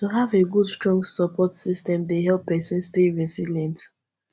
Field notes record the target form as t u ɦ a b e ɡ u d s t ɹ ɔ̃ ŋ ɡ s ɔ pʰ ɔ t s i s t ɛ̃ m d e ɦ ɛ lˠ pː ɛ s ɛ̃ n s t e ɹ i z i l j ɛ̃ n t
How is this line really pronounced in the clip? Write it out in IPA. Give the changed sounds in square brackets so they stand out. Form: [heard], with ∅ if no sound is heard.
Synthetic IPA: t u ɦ a [v] e ɡ u d s t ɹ ɔ̃ ŋ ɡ s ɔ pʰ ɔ t s i s t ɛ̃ m d e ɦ ɛ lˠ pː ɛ s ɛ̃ n s t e ɹ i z i l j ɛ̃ n t